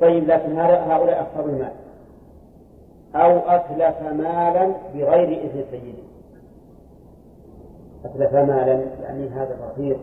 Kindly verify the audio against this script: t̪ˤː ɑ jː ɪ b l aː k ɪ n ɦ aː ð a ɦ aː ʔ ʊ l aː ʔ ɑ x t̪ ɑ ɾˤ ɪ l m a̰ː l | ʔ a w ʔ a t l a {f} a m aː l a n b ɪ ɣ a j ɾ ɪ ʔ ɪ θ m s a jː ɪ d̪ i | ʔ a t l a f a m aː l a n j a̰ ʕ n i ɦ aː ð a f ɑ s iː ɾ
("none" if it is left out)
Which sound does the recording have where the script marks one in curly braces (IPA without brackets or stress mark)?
f